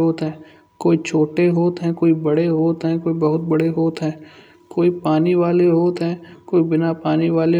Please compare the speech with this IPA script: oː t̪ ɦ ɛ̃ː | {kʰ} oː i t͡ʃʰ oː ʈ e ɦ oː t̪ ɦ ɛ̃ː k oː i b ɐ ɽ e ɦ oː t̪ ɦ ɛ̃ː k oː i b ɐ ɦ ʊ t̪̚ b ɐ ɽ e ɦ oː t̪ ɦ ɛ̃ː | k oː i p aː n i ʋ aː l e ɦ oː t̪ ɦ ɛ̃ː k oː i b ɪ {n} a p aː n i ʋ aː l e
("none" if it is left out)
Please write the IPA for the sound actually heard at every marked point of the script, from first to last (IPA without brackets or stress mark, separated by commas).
k, n